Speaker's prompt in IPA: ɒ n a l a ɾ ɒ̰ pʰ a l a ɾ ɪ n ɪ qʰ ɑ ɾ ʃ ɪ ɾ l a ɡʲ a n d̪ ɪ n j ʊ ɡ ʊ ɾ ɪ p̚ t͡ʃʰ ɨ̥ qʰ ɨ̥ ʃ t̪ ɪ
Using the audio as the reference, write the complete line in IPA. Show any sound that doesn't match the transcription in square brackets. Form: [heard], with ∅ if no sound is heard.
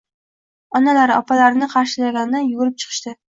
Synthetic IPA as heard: ɒ n a l a ɾ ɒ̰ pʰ a l a ɾ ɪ n ɪ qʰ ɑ ɾ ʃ ɪ [∅] l a ɡʲ a n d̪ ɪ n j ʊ ɡ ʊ ɾ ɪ p̚ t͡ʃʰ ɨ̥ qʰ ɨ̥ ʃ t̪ ɪ